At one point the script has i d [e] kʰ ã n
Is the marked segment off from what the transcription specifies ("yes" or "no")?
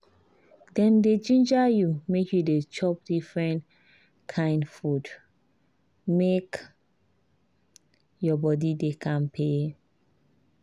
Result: no